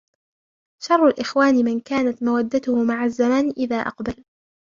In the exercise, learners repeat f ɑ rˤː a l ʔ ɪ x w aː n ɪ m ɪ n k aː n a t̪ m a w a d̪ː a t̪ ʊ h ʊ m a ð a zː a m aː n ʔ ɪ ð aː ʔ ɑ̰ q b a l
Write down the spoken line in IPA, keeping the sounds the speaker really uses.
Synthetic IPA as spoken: ʃ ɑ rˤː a l ʔ ɪ x w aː n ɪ m ɪ n k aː n a t̪ m a w a d̪ː a t̪ ʊ h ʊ m a ʕ a zː a m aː n ʔ ɪ ð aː ʔ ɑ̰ q b a l